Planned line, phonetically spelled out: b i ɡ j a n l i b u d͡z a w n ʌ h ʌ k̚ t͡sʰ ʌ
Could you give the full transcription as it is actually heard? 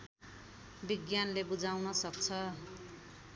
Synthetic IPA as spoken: b i ɡ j a n l e b u d͡z a w n ʌ s ʌ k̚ t͡sʰ ʌ